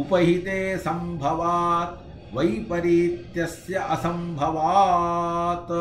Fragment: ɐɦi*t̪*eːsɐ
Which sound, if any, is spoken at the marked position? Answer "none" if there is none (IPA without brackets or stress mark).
t̪